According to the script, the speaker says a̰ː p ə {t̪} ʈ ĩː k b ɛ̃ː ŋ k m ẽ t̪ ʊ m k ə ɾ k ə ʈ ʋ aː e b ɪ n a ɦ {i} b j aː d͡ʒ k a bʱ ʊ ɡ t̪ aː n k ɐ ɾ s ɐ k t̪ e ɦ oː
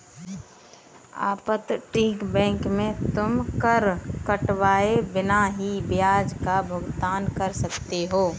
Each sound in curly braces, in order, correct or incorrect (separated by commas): correct, correct